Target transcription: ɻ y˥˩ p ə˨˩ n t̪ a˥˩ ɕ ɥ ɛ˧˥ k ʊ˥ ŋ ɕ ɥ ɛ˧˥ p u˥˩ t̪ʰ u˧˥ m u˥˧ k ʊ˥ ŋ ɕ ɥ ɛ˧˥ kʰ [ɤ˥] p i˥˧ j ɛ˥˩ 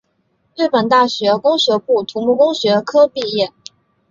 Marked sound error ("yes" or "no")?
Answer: no